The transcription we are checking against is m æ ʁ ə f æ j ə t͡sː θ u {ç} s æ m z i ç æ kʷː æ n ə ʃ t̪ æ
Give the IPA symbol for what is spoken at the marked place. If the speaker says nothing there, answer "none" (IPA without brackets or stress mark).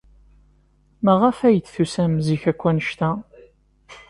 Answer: none